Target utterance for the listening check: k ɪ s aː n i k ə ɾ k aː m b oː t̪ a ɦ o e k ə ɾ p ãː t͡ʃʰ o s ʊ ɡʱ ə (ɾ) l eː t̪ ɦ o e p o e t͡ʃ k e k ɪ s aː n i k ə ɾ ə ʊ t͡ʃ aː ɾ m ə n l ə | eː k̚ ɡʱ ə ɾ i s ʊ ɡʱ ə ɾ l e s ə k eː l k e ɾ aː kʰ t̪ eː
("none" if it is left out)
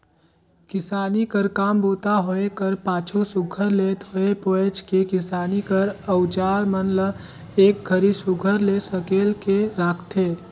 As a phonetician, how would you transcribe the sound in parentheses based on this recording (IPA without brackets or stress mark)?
ɾ